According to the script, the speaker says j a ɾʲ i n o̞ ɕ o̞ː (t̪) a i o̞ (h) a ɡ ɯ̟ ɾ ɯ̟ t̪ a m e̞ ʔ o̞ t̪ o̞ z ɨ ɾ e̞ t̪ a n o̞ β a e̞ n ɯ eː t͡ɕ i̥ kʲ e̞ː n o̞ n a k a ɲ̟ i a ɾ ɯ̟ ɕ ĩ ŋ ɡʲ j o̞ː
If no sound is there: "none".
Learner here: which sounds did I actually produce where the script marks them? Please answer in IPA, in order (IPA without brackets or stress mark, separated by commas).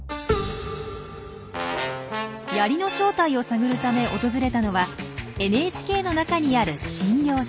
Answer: t̪, s